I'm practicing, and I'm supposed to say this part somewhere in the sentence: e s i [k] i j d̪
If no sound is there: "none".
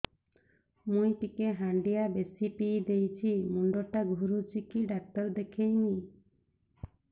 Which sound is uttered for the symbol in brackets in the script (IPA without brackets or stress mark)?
p